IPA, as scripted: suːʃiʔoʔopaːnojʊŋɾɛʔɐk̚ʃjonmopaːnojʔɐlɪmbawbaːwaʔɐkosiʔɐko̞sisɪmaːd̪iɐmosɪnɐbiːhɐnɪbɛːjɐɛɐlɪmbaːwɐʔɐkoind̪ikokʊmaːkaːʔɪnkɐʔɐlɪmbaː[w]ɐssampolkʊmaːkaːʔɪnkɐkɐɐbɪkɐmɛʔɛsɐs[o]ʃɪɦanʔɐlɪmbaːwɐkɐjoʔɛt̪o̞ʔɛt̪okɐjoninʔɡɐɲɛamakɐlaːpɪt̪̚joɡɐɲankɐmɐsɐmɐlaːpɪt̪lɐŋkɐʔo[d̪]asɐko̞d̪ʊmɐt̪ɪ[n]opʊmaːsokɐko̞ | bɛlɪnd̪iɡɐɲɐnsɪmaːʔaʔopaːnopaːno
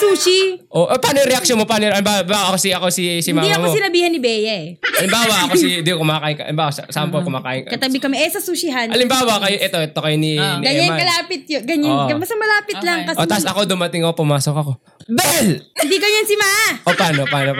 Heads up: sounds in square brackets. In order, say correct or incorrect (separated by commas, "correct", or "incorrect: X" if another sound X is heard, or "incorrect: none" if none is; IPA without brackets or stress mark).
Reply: correct, incorrect: u, incorrect: t̪, incorrect: ŋ